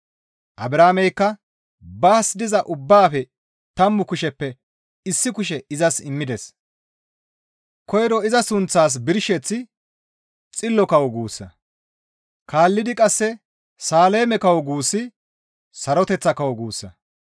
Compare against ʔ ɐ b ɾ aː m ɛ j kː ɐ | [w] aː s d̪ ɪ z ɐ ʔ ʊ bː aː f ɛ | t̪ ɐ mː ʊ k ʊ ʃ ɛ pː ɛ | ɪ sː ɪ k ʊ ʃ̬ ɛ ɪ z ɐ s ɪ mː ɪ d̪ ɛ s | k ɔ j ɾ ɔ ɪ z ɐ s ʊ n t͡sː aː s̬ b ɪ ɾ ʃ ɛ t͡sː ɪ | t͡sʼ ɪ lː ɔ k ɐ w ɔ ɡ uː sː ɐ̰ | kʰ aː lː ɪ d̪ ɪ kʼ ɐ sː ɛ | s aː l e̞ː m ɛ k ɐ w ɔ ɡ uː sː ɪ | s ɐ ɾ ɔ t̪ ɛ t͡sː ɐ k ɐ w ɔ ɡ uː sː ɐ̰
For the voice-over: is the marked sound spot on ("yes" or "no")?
no